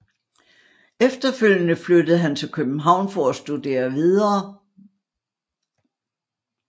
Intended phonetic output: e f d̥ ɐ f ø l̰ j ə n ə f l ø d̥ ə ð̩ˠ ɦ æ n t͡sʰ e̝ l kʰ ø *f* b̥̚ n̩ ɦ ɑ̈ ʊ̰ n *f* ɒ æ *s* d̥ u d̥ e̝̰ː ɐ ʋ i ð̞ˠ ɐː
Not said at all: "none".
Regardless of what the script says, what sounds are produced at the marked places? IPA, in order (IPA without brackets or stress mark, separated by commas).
none, f, s